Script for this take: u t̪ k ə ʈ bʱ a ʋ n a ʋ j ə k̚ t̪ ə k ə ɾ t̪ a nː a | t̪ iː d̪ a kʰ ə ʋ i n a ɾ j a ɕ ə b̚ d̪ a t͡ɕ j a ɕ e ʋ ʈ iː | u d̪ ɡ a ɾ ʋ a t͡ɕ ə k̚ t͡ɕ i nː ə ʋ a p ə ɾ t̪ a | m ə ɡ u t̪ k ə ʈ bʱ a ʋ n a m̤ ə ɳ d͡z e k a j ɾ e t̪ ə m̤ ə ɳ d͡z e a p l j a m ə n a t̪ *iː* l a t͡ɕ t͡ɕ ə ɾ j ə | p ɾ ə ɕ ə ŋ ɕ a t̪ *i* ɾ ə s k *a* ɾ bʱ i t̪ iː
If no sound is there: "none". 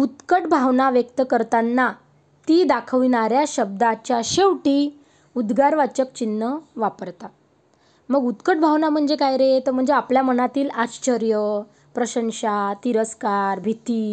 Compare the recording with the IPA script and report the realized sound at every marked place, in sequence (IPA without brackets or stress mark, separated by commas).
iː, i, a